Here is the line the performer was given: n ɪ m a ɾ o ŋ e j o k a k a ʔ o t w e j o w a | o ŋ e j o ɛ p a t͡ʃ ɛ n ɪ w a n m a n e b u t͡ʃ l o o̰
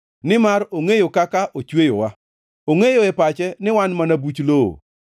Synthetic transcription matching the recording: n ɪ m a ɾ o ŋ e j o k a k a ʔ o t͡ʃ w e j o w a | o ŋ e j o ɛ p a t͡ʃ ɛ n ɪ w a n m a n a b u t͡ʃ l o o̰

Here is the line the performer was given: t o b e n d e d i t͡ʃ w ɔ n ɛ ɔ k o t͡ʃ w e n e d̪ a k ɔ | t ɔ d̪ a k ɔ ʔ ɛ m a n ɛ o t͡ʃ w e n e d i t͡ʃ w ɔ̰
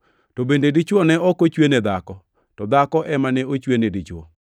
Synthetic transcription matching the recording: t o b e n d e d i t͡ʃ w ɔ n ɛ ɔ k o t͡ʃ w e n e d̪ a k ɔ | t ɔ d̪ a k ɔ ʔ ɛ m a n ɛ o t͡ʃ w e n e d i t͡ʃ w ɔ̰

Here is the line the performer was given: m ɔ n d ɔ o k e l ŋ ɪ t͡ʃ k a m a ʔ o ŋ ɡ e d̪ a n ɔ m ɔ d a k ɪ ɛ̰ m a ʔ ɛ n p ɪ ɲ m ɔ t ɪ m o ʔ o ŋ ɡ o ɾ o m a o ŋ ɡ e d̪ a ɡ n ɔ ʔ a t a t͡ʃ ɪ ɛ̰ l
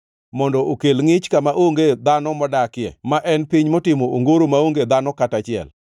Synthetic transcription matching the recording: m ɔ n d ɔ o k e l ŋ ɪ t͡ʃ k a m a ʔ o ŋ ɡ e d̪ a n ɔ m ɔ d a k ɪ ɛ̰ m a ʔ ɛ n p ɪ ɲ m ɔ t ɪ m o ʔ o ŋ ɡ o ɾ o m a o ŋ ɡ e d̪ a n ɔ k a t a t͡ʃ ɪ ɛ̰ l

